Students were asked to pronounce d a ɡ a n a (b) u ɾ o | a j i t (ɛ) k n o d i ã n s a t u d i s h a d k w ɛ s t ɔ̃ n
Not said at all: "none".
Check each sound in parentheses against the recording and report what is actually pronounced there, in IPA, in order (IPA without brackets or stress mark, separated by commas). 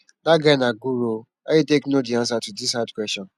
ɡ, e